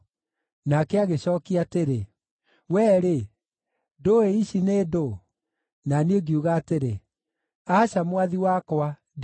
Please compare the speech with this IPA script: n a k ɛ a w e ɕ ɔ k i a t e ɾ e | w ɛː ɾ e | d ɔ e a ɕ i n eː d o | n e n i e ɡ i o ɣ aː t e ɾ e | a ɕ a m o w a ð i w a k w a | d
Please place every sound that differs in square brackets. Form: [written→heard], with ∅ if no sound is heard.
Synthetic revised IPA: n a k ɛ a [w→ɣ] e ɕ ɔ k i a t e ɾ e | w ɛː ɾ e | d [ɔ→o] e [a→i] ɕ i n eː d o | n [e→a] n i e ɡ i [o→u] ɣ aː t e ɾ e | a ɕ a m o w a ð i w a k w a | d